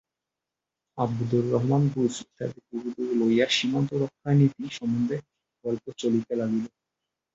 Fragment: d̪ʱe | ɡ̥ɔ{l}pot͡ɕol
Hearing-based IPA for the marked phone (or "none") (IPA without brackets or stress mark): l